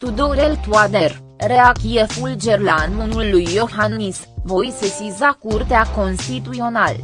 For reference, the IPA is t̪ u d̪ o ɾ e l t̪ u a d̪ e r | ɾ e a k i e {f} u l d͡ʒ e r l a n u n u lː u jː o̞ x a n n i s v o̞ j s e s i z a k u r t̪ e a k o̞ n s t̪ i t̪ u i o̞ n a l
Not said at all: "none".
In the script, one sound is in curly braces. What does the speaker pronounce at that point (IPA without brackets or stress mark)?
f